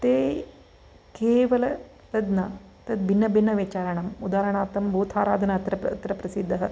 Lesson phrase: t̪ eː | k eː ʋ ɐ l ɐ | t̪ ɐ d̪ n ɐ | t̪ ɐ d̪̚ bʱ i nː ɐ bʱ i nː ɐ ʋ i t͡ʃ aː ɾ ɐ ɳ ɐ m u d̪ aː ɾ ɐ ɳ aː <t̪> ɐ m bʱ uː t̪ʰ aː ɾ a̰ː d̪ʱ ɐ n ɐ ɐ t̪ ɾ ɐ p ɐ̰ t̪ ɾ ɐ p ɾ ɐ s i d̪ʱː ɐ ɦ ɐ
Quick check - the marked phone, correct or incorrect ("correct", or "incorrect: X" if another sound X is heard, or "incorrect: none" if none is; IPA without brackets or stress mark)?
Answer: correct